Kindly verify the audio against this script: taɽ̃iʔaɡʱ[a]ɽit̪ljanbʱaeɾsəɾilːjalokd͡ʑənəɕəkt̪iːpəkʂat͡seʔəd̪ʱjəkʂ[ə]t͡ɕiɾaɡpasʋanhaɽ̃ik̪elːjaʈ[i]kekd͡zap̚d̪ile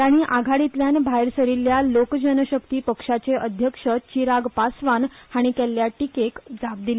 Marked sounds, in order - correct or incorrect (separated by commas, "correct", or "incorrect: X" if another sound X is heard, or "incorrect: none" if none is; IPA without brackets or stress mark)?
correct, correct, correct